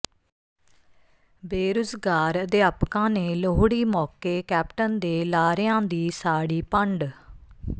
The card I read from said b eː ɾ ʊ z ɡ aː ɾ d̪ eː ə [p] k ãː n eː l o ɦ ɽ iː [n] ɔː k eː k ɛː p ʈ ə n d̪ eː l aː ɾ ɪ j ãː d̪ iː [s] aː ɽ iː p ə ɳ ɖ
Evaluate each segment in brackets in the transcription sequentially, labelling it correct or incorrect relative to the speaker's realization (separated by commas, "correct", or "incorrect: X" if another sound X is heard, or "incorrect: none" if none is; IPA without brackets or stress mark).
correct, incorrect: m, correct